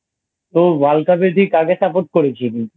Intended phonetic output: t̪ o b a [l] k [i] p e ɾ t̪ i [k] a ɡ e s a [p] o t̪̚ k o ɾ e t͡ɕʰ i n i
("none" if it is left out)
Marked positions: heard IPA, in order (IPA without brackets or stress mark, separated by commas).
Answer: l, a, k, p